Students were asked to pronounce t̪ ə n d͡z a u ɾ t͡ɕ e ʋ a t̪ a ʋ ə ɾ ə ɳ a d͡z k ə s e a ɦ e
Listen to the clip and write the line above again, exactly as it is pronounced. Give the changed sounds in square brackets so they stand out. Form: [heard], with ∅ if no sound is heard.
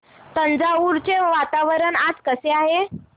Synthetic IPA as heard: t̪ ə n d͡z a u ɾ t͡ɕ e ʋ a t̪ a ʋ ə ɾ ə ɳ a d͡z k ə s e a ɦ e